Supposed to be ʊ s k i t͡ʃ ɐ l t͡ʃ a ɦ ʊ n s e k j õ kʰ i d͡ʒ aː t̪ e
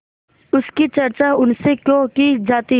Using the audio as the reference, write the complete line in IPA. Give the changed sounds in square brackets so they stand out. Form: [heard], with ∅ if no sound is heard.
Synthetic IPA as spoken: ʊ s k i t͡ʃ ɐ [ɾ] t͡ʃ a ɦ ʊ n s e k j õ [k] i d͡ʒ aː t̪ [i]